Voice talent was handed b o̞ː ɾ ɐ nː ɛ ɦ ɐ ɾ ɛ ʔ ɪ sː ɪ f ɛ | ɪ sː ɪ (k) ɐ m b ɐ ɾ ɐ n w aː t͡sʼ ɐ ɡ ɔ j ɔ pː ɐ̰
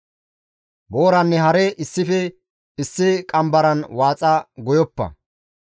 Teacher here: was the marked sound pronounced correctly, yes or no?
no